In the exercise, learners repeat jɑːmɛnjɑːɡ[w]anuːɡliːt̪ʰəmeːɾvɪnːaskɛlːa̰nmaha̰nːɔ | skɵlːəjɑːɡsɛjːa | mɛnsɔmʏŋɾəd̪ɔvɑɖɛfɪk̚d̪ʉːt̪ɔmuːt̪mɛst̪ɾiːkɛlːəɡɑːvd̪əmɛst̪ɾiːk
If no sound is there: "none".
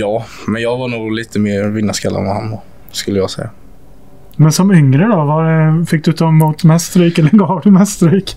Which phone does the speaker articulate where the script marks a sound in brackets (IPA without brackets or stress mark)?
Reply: v